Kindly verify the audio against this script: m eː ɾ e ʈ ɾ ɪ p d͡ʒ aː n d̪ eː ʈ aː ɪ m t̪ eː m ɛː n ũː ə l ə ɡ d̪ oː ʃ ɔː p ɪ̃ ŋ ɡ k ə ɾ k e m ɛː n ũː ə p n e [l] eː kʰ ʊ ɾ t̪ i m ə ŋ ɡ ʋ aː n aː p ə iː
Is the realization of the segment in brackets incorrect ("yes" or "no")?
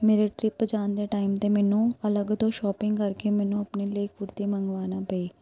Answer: no